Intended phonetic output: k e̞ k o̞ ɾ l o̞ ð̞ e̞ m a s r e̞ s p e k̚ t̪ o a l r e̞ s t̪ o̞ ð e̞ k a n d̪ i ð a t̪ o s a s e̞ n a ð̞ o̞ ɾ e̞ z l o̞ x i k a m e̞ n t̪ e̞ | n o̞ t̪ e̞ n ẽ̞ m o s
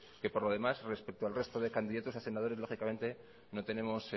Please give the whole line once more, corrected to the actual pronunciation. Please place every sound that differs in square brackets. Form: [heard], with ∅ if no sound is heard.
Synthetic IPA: k e̞ [p] o̞ ɾ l o̞ ð̞ e̞ m a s r e̞ s p e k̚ t̪ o a l r e̞ s t̪ o̞ ð e̞ k a n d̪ i ð a t̪ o s a s e̞ n a ð̞ o̞ ɾ e̞ z l o̞ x i k a m e̞ n t̪ e̞ | n o̞ t̪ e̞ n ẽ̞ m o s